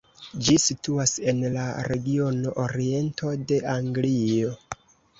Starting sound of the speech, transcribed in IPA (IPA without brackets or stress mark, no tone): d͡ʒ